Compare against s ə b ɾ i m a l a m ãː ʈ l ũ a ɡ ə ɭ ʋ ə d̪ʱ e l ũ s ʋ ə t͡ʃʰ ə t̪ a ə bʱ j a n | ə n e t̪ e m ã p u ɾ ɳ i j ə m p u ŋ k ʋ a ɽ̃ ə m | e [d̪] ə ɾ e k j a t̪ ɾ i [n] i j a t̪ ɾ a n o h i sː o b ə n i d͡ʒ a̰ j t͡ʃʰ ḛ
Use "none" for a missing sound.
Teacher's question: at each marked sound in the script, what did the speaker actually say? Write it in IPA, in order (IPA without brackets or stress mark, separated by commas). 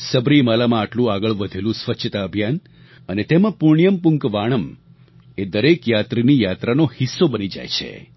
d̪, n